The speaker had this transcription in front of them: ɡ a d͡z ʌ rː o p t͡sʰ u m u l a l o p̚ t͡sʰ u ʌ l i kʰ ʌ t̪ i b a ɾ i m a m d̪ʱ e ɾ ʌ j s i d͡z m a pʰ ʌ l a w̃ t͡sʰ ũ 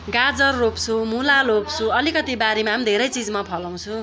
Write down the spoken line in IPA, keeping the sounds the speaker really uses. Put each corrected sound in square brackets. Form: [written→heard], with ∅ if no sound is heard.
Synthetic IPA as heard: ɡ a d͡z ʌ rː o p t͡sʰ u m u l a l o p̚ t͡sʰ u ʌ l i [kʰ→k] ʌ t̪ i b a ɾ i m a m d̪ʱ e ɾ ʌ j [s→t͡s] i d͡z m a pʰ ʌ l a w̃ t͡sʰ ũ